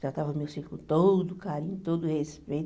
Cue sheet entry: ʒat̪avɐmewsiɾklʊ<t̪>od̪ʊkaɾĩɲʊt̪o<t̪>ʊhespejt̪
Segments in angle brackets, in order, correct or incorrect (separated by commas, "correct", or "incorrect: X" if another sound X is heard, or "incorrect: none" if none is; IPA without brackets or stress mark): correct, incorrect: d̪